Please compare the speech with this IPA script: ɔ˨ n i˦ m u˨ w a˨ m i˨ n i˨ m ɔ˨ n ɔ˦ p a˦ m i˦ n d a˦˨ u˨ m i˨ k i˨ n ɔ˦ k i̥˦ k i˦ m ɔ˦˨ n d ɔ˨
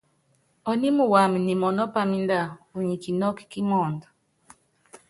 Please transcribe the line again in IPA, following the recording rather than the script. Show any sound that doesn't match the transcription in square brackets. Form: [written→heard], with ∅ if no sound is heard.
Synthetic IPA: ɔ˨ n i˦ m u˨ w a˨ m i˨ n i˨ m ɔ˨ n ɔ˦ p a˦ m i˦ n d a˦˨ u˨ [m→ɲ] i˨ k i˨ n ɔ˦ k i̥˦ k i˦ m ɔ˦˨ n d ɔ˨